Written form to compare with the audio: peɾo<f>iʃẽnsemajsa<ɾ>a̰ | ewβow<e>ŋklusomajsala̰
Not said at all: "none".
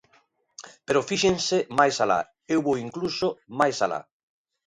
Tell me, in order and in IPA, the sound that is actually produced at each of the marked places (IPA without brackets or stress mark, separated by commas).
f, l, i